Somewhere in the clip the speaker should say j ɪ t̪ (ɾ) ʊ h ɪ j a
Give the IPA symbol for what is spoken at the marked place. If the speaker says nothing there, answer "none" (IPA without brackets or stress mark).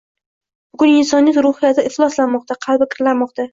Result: ɾ